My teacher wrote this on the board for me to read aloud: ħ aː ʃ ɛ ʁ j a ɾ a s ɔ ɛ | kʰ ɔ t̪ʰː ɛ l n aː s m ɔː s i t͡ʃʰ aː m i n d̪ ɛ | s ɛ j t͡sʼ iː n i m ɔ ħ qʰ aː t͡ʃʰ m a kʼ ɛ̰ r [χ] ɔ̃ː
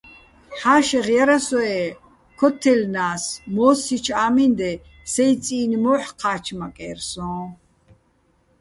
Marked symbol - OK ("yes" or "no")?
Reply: no